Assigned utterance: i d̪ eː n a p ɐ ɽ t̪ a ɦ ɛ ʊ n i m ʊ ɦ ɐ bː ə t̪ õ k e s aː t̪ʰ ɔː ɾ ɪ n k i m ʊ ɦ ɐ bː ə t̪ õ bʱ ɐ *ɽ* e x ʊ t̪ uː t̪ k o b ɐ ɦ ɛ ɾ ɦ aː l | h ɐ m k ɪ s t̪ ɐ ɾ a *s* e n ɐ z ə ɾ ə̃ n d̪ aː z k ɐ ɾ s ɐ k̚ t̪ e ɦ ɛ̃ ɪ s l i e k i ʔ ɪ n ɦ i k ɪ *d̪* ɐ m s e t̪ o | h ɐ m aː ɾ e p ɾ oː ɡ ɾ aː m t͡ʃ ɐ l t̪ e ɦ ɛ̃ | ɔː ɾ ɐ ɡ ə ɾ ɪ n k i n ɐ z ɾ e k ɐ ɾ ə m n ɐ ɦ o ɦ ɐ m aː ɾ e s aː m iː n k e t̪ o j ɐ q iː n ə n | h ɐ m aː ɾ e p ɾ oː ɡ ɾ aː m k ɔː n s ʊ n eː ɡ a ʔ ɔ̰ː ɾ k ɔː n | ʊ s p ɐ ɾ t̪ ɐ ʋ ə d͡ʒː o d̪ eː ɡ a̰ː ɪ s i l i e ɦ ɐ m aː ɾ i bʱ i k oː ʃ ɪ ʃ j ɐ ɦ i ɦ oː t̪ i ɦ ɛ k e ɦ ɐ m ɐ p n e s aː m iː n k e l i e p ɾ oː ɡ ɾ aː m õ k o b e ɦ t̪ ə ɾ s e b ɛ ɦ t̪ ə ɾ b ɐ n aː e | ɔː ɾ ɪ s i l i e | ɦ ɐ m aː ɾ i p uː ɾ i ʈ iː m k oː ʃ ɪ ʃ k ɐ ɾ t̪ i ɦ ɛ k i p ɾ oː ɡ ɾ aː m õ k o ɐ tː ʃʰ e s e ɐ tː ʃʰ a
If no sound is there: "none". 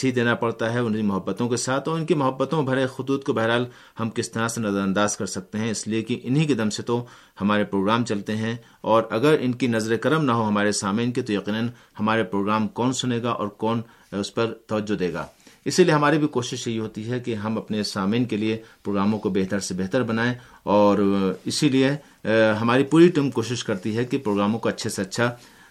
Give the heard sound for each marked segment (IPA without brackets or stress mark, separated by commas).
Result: ɾ, s, d̪